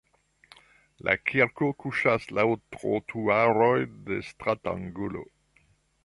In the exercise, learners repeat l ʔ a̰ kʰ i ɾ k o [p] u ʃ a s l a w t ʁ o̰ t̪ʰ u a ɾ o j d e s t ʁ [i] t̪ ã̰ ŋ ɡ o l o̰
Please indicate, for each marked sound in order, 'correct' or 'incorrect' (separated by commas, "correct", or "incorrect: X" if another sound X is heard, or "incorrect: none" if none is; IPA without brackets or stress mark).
incorrect: k, incorrect: a